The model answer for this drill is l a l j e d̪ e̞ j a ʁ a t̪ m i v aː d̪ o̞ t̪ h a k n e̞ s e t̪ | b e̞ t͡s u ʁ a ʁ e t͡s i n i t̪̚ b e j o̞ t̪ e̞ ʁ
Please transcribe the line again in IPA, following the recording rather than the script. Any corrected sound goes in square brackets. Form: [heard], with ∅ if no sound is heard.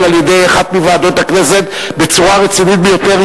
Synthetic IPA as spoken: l a l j e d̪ e̞ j a [χ] a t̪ m i v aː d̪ o̞ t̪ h a k n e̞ s e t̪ | b e̞ t͡s u ʁ a ʁ e t͡s i n i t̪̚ b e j o̞ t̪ e̞ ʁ